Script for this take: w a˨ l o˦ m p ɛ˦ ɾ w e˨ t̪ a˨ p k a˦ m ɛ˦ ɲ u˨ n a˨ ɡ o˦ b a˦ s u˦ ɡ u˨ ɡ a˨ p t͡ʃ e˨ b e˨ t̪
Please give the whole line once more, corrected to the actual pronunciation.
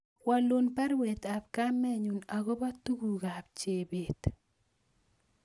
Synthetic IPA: w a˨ l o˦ n p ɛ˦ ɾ w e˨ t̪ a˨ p k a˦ m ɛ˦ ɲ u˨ n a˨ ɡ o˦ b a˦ t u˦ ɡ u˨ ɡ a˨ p t͡ʃ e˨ b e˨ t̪